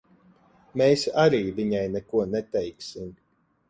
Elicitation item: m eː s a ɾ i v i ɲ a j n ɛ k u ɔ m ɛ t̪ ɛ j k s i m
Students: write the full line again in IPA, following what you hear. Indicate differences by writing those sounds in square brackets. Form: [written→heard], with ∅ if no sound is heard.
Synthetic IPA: m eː s a ɾ [i→iː] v i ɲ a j n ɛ k u ɔ [m→n] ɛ t̪ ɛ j k s i m